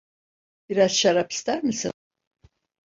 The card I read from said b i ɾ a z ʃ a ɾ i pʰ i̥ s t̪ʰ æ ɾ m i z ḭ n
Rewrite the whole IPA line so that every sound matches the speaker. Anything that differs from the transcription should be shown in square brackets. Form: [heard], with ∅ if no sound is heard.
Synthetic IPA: b i ɾ a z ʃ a ɾ [a] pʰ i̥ s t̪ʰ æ ɾ m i [s] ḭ n